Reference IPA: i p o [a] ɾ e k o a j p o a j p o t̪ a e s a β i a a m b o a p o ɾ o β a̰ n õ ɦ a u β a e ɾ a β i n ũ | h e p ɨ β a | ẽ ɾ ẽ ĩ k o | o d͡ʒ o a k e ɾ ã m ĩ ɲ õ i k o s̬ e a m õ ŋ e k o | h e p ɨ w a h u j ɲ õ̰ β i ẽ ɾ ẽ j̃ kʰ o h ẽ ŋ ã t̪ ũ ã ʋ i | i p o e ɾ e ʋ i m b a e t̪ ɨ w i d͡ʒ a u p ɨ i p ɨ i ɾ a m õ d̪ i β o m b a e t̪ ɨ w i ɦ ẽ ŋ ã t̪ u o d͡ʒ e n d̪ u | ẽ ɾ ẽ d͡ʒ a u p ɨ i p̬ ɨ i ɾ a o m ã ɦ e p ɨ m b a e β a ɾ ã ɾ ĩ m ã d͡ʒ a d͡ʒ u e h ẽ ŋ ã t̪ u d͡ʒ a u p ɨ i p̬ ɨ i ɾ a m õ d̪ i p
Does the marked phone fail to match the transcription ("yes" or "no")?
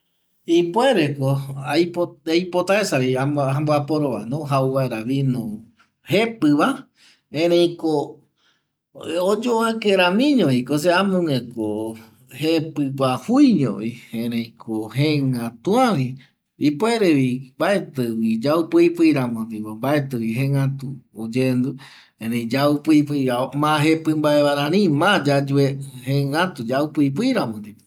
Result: yes